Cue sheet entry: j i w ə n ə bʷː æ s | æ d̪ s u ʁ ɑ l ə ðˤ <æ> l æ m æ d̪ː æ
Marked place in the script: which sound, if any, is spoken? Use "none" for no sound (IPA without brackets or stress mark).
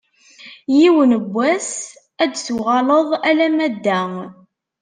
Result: æ